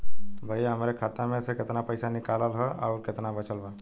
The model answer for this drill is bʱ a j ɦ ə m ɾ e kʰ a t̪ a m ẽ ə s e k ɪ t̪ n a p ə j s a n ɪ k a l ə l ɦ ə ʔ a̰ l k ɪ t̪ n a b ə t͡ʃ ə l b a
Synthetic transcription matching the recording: bʱ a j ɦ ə m ɾ e kʰ a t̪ a m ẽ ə s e k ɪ t̪ n a p ə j s a n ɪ k a l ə l ɦ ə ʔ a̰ ɾ k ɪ t̪ n a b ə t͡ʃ ə l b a